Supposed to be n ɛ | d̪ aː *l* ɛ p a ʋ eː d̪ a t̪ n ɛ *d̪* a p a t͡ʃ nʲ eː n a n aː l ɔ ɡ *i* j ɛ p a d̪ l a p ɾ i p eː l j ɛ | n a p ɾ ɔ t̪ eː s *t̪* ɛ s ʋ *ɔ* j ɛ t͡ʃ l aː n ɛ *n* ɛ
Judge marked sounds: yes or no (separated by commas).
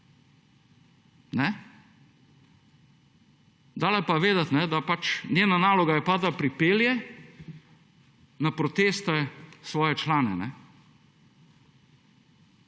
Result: yes, yes, no, yes, no, yes